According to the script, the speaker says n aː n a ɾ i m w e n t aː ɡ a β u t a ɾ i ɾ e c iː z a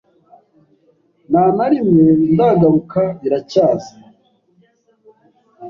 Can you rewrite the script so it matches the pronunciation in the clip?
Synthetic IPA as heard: n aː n a ɾ i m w e n d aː ɡ a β u k a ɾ i ɾ a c aː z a